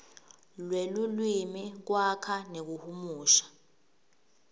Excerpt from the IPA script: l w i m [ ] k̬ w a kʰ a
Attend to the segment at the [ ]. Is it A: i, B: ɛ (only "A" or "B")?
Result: A